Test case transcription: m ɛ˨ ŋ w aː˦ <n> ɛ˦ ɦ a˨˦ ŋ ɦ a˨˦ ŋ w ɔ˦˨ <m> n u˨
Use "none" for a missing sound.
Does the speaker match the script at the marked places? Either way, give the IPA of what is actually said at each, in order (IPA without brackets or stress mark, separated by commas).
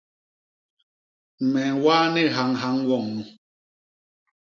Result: n, ŋ